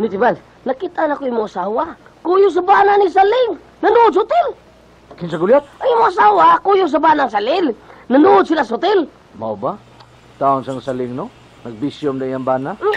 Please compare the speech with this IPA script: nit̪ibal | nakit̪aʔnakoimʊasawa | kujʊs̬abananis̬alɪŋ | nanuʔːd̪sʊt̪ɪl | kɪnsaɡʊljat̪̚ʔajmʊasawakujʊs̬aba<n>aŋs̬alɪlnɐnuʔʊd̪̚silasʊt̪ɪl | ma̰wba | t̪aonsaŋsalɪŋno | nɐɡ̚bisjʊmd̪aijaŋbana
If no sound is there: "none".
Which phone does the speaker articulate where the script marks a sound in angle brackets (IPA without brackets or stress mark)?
n